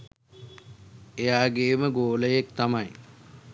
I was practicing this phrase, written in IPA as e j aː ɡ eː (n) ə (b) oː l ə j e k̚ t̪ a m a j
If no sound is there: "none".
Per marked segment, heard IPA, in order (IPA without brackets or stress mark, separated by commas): m, ɡ